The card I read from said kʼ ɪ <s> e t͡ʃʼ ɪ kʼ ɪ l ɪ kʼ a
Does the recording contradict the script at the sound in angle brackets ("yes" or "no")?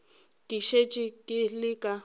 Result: yes